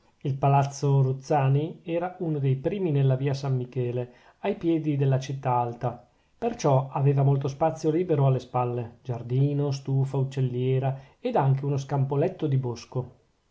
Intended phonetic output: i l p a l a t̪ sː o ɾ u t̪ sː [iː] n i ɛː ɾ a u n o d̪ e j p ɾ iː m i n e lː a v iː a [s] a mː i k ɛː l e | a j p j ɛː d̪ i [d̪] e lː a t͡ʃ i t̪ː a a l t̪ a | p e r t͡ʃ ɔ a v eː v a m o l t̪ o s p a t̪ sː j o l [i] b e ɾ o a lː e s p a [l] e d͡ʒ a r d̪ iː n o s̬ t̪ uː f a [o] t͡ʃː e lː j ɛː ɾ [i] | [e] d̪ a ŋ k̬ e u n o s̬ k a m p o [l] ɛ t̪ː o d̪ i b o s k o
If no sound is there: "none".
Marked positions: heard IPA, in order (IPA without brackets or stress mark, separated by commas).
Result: aː, s, d̪, iː, lː, u, a, e, l